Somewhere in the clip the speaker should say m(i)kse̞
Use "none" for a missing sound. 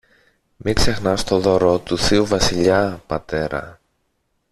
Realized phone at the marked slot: i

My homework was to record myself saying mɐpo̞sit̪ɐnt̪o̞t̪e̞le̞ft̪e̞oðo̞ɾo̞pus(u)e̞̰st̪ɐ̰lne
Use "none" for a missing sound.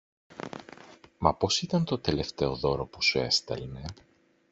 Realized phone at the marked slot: u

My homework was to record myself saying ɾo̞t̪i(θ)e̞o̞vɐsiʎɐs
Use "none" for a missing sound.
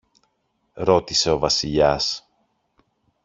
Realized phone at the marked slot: s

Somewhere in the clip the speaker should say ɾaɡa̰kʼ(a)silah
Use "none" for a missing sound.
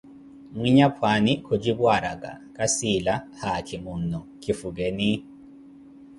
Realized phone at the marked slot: a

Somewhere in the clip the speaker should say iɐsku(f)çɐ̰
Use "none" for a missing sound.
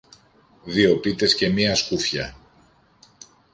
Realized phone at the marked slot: f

